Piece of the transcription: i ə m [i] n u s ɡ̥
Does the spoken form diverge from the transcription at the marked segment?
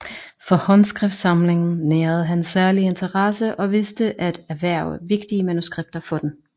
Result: yes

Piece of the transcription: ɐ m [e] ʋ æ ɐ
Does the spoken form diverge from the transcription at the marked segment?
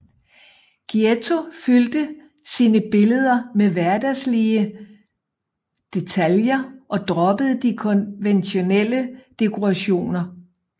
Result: no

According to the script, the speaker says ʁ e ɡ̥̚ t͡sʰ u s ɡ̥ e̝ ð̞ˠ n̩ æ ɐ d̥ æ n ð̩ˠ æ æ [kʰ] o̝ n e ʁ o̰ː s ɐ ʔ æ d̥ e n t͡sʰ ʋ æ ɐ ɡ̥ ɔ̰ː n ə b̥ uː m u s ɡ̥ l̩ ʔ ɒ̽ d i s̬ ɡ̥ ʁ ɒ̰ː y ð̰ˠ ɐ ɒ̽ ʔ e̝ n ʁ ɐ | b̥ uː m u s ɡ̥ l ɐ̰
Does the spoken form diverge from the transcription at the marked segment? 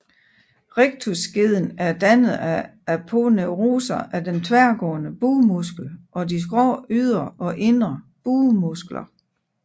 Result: yes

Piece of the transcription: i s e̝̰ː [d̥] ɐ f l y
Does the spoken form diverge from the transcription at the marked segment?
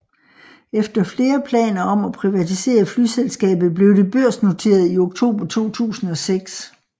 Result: yes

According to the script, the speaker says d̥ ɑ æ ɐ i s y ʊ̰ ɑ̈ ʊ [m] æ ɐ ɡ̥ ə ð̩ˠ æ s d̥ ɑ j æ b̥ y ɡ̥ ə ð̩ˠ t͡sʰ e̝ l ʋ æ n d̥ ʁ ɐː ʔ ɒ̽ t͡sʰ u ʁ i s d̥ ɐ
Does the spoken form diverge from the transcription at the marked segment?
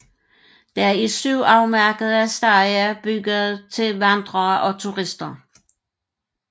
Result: no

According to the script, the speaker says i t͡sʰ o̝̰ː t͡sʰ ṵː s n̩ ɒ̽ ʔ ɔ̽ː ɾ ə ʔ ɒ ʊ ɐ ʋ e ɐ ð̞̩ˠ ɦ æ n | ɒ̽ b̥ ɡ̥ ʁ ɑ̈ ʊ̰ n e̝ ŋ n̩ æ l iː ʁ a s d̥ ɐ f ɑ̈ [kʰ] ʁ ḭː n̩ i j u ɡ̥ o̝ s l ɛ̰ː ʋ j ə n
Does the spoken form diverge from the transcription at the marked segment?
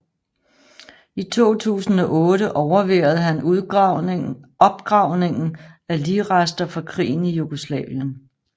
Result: no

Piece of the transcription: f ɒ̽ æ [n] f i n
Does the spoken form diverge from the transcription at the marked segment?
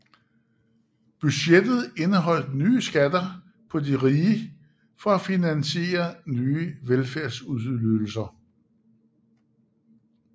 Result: yes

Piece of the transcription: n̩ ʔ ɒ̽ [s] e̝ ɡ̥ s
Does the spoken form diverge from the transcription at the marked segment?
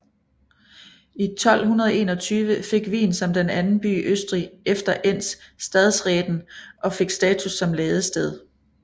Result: yes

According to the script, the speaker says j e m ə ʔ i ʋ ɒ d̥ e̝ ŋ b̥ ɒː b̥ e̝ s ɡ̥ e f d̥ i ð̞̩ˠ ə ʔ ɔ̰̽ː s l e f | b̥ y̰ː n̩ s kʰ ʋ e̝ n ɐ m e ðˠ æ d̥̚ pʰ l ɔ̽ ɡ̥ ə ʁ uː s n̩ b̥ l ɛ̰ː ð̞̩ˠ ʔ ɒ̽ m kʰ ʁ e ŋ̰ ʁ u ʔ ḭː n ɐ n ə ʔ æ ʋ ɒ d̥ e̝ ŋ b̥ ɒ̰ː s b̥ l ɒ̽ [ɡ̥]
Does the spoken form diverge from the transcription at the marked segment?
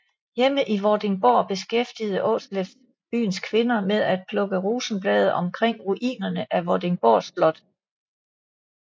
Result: yes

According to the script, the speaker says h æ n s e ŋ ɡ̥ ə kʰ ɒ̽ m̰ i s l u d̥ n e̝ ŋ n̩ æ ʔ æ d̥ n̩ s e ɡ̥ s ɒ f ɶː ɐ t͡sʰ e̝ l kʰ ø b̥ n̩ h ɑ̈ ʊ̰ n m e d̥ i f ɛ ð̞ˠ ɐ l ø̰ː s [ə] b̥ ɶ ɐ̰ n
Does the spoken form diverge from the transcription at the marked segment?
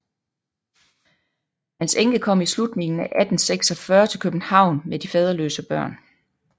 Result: no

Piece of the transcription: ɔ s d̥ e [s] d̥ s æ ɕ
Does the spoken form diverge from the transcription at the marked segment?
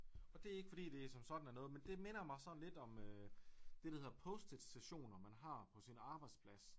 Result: yes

